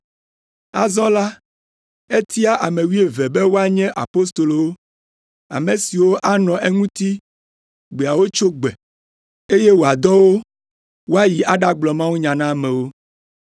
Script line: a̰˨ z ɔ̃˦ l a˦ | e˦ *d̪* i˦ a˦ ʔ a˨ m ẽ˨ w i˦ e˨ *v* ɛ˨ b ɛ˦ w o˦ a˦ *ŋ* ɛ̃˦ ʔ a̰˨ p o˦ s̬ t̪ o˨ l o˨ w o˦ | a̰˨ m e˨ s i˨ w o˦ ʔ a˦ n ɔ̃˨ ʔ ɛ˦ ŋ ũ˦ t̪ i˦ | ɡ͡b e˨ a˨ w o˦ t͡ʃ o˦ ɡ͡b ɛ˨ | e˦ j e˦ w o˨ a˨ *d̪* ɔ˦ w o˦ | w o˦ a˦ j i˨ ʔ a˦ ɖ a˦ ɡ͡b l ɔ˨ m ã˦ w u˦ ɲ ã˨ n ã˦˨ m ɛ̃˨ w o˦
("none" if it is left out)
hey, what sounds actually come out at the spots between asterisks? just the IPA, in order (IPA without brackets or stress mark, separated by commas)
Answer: t̪, v, ɲ, d̪